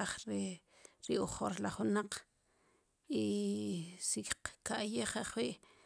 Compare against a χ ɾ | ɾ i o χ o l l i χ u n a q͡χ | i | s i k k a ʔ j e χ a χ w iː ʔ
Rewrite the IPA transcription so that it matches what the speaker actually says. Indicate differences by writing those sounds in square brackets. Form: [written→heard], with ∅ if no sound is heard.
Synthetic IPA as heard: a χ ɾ | ɾ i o χ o [l→ɾ] l [i→a] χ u n a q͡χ | i | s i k k a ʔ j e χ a χ w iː ʔ